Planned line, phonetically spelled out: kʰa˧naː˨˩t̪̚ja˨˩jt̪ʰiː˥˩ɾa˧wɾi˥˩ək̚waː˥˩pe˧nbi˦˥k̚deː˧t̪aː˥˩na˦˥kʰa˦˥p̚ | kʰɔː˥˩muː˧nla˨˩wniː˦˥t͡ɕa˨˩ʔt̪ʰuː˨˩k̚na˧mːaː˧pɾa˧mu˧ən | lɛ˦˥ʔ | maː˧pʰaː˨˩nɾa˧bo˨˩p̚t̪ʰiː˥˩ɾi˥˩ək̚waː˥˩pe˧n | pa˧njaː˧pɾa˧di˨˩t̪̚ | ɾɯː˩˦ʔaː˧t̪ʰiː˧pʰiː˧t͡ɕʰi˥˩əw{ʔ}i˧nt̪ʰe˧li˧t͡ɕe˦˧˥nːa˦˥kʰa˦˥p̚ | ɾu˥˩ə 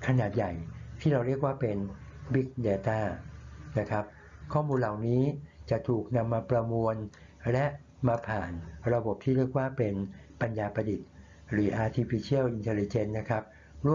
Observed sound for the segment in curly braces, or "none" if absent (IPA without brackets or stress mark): ʔ